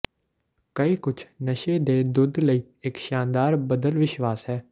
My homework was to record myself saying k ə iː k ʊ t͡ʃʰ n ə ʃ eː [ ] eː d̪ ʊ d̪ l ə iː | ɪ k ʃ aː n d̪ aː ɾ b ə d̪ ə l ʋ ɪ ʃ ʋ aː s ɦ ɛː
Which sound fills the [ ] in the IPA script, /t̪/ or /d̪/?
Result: d̪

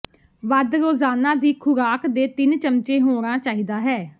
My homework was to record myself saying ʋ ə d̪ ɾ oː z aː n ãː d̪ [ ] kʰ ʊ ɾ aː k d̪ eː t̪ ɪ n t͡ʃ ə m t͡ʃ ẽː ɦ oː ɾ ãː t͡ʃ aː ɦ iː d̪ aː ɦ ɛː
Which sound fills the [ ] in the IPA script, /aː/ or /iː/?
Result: iː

